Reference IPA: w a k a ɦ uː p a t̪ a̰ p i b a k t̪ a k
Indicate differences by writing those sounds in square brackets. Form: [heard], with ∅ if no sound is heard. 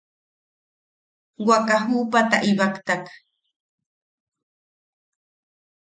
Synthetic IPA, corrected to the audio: w a k a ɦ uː p a t̪ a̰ [ʔ] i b a k t̪ a k